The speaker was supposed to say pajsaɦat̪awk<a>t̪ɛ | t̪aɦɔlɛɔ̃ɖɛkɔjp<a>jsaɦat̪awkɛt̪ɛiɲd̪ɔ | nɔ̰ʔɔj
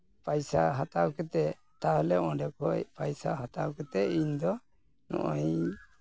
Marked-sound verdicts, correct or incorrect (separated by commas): incorrect, correct